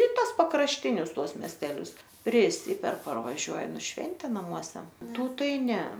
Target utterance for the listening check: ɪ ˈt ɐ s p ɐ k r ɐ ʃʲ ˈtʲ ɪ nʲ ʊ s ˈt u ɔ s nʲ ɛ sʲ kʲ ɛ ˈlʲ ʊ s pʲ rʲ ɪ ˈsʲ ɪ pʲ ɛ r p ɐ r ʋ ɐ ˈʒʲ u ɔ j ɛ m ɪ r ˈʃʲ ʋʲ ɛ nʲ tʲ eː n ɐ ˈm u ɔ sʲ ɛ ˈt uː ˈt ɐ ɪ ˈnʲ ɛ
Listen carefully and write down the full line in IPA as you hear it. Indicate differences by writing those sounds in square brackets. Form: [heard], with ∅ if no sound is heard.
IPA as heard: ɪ ˈt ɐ s p ɐ k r ɐ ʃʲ ˈtʲ ɪ nʲ ʊ s ˈt u ɔ s [mʲ] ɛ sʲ [tʲ] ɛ ˈlʲ ʊ s pʲ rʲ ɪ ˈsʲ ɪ pʲ ɛ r p ɐ r ʋ ɐ ˈʒʲ u ɔ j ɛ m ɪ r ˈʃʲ ʋʲ ɛ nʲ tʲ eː n ɐ ˈm u ɔ sʲ ɛ ˈt uː ˈt ɐ ɪ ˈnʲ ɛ